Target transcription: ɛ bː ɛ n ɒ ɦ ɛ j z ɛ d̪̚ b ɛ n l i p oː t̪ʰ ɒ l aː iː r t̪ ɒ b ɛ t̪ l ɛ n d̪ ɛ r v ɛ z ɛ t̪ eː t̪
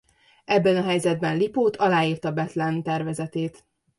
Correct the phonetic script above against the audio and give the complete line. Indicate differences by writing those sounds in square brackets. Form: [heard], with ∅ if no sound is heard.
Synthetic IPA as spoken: ɛ bː ɛ n ɒ ɦ ɛ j z ɛ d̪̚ b ɛ n l i p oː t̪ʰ ɒ l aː iː r t̪ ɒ b ɛ t̪ l ɛ n [t̪] ɛ r v ɛ z ɛ t̪ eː t̪

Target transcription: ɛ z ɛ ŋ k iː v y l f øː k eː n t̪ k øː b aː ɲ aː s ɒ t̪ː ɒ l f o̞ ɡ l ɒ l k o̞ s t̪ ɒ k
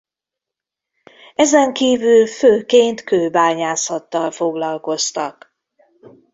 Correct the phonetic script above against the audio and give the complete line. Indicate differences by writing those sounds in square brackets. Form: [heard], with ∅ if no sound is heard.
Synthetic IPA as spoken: ɛ z ɛ ŋ k iː v y l f øː k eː n t̪ k øː b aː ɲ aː s ɒ t̪ː ɒ l f o̞ ɡ l ɒ l k o̞ s t̪ ɒ k

